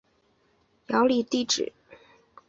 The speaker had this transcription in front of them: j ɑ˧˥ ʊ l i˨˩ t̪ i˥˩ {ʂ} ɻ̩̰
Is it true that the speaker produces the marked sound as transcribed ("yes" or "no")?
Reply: no